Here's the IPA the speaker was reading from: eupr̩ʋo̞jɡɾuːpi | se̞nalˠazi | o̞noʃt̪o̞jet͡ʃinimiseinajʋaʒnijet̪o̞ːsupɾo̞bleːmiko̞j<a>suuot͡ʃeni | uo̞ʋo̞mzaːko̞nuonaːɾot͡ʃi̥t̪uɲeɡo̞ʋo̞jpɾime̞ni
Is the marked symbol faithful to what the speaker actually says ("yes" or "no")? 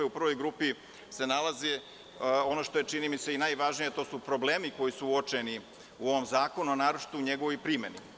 no